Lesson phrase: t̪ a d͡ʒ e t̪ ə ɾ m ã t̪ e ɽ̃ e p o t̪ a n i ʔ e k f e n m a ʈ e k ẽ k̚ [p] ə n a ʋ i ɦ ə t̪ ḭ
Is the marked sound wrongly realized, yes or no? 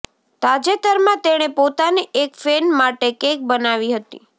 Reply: yes